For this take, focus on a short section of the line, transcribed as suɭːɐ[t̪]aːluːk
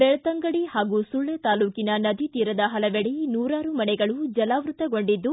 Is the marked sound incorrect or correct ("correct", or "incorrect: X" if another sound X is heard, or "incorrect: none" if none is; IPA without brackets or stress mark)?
correct